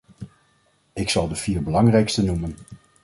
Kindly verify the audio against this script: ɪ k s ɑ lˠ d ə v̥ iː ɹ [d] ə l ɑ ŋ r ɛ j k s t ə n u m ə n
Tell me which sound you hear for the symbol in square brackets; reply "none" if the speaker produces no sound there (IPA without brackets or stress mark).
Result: b